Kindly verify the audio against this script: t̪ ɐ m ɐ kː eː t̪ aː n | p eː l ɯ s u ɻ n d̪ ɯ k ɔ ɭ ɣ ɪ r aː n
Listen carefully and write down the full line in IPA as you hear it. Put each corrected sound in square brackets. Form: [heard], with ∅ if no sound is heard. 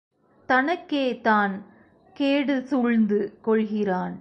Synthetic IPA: t̪ ɐ [n] ɐ kː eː t̪ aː n | [k] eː [ɽ] ɯ s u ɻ n d̪ ɯ k ɔ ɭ ɣ ɪ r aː n

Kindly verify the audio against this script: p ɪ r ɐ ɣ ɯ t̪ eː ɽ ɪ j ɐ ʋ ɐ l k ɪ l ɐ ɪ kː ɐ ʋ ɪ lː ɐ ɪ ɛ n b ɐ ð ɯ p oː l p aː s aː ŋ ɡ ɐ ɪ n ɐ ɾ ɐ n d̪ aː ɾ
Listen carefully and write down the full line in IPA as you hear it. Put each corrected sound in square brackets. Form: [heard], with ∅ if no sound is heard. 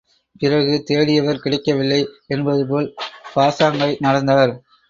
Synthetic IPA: p ɪ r ɐ ɣ ɯ t̪ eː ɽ ɪ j ɐ ʋ ɐ [ɾ] k ɪ [ɽ] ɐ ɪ kː ɐ ʋ ɪ lː ɐ ɪ ɛ n b ɐ ð ɯ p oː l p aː s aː ŋ ɡ ɐ ɪ n ɐ [ɽ] ɐ n d̪ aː ɾ

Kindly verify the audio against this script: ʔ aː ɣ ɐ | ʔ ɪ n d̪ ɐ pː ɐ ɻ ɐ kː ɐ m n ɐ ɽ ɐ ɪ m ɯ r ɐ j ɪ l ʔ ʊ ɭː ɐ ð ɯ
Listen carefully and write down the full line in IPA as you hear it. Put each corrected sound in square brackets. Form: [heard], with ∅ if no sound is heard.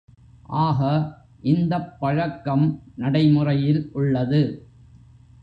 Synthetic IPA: ʔ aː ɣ ɐ | ʔ ɪ n d̪ ɐ pː ɐ ɻ ɐ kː ɐ m n ɐ ɽ ɐ ɪ m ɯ r ɐ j ɪ l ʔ ʊ ɭː ɐ ð ɯ

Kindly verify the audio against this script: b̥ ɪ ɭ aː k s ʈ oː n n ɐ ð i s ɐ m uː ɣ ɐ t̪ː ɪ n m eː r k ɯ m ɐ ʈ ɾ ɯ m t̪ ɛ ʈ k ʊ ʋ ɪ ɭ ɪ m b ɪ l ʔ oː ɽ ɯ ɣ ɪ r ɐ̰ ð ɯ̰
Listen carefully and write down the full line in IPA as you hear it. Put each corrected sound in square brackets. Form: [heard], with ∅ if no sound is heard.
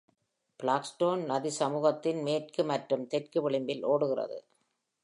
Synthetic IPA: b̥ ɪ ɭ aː k s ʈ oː n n ɐ ð i s ɐ m uː ɣ ɐ t̪ː ɪ n m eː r k ɯ m ɐ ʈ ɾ ɯ m t̪ ɛ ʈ k [ɯ] ʋ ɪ ɭ ɪ m b ɪ l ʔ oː ɽ ɯ ɣ ɪ r ɐ̰ ð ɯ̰

